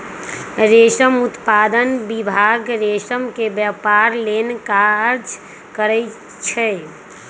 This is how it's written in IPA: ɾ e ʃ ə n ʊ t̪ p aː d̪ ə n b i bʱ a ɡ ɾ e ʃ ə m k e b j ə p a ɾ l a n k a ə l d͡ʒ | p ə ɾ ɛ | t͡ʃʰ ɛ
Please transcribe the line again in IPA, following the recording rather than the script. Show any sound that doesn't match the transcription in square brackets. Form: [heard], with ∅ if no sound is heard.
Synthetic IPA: ɾ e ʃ ə [m] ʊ t̪ p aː d̪ ə n b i bʱ a ɡ ɾ e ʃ ə m k e b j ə p a ɾ l [e] n k a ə [ɾ] d͡ʒ | [k] ə ɾ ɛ | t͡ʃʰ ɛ